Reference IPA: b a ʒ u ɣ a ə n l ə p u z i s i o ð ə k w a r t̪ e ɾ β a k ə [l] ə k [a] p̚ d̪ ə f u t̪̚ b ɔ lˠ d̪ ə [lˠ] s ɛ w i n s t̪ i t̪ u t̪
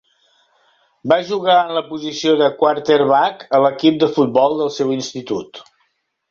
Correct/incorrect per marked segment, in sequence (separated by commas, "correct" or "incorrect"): correct, incorrect, correct